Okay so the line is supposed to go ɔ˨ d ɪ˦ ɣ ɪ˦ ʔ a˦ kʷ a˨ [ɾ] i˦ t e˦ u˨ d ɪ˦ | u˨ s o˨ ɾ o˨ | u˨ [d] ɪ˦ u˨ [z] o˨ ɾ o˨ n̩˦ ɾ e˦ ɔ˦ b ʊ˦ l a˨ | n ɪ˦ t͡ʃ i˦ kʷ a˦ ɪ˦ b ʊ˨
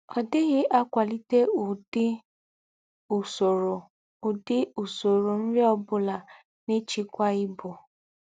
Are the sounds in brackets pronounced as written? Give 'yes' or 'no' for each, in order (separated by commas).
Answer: no, yes, no